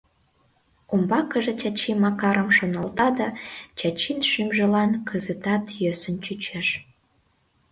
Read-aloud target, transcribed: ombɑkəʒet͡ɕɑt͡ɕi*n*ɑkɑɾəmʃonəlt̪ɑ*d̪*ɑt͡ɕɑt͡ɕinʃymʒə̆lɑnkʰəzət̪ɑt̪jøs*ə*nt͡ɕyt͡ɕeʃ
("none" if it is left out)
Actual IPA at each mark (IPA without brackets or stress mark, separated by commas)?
m, d̪, ə